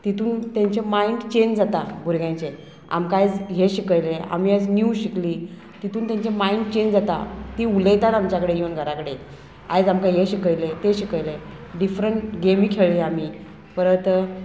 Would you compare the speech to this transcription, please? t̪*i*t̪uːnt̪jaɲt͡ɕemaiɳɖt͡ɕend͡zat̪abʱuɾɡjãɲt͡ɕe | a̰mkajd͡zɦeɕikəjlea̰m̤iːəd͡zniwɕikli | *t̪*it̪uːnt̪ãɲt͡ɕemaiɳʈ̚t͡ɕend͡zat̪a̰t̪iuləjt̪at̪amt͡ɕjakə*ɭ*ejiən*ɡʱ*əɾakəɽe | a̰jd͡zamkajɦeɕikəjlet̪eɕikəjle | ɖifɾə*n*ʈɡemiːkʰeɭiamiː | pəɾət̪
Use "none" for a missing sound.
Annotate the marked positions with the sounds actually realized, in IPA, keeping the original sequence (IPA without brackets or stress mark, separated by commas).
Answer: i, t̪, ɽ, ɡʱ, ɳ